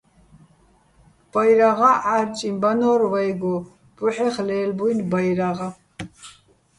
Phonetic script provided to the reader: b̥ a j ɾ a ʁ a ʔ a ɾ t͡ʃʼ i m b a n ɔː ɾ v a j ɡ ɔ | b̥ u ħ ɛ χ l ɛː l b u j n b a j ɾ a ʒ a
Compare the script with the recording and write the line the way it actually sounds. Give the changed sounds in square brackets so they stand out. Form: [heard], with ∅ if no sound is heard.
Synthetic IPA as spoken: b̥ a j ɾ a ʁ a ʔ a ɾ t͡ʃʼ i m b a n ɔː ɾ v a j ɡ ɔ | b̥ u ħ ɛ χ l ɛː l b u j n b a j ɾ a [ʁ] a